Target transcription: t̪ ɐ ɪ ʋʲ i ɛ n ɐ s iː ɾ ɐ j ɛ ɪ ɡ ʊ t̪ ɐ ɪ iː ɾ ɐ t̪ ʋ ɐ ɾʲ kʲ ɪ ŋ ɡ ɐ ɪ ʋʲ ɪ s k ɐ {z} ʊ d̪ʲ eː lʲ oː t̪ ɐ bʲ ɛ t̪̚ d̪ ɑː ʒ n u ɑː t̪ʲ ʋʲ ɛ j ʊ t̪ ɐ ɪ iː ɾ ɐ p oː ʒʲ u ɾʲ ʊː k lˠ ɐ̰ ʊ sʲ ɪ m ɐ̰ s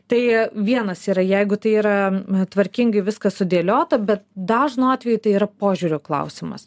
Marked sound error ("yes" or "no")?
yes